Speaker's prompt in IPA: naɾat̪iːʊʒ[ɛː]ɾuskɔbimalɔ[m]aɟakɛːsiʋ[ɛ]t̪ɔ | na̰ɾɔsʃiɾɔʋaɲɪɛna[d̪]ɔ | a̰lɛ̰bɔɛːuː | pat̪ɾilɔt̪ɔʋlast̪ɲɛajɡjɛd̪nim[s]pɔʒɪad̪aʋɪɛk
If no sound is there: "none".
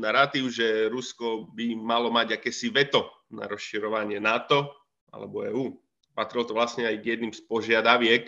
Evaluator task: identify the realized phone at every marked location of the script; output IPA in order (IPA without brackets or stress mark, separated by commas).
ɛ, m, ɛ, t̪, s